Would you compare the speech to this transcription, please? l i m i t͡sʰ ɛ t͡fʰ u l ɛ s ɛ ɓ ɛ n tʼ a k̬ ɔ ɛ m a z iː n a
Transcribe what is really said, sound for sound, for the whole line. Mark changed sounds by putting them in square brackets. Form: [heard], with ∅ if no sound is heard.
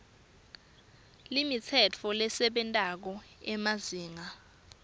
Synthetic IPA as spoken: l i m i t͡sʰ ɛ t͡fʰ [ɔ] l ɛ s ɛ ɓ ɛ n tʼ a k̬ ɔ ɛ m a z iː [ŋ] a

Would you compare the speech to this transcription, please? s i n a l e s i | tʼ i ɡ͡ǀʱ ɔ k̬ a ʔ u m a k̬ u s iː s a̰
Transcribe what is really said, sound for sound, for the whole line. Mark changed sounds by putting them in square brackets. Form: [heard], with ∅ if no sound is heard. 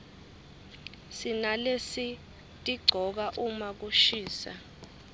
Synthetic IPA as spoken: s i n a l e s i | tʼ i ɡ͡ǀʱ ɔ k̬ a ʔ u m a k̬ u [ʃ] iː s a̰

